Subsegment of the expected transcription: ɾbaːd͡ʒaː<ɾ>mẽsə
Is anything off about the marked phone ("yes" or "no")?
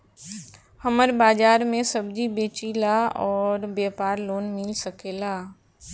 no